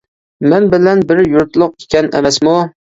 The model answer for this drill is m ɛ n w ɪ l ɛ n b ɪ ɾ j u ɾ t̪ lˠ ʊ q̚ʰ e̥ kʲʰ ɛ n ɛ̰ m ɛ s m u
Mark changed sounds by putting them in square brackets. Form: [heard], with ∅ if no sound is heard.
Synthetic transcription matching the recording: m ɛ n [b] ɪ l ɛ n b ɪ ɾ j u ɾ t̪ lˠ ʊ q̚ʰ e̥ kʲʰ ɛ n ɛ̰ m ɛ s m u